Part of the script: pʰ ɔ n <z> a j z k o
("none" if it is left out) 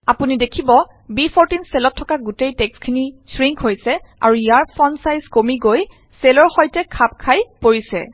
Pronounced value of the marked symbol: s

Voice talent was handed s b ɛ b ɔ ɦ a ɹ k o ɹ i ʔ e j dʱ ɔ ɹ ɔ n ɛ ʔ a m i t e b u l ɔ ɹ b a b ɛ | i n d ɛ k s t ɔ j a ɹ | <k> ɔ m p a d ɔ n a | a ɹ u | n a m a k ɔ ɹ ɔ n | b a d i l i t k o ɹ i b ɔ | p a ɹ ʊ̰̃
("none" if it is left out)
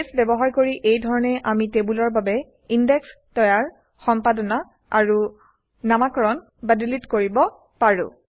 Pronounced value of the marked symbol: x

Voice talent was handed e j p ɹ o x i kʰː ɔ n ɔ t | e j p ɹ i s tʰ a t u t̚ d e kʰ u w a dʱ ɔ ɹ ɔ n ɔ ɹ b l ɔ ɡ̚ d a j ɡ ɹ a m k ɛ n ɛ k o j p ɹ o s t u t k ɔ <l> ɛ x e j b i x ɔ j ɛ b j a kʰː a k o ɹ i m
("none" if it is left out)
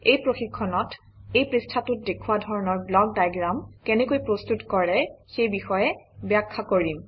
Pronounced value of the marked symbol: ɹ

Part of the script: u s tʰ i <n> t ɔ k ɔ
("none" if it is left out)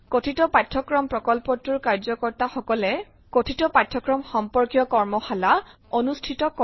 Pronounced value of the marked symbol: none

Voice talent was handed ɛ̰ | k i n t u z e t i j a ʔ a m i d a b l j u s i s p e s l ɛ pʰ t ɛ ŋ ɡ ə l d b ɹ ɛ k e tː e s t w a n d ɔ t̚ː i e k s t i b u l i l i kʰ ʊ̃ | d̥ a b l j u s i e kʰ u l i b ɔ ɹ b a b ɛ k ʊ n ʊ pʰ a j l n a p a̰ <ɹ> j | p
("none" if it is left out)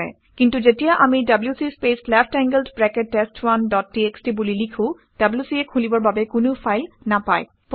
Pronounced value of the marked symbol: none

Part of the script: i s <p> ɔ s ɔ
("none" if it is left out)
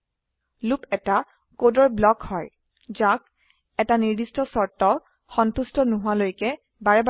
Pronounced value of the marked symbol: t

